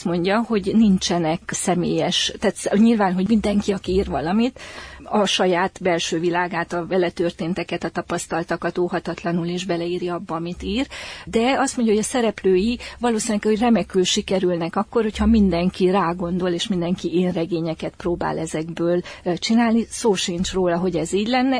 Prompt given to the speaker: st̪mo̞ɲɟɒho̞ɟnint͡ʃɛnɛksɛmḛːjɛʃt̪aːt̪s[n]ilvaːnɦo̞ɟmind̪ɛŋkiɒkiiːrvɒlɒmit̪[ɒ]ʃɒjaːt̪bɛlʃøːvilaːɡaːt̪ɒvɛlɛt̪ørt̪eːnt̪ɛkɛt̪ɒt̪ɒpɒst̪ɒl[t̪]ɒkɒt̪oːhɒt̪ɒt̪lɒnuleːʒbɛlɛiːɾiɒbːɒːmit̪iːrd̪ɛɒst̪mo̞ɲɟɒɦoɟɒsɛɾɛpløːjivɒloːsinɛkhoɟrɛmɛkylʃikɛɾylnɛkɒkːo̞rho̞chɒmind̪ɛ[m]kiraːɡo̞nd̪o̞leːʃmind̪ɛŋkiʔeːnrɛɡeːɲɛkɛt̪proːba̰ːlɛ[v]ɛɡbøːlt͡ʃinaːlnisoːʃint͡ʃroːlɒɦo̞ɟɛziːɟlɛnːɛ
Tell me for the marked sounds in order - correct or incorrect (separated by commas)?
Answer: incorrect, correct, correct, incorrect, incorrect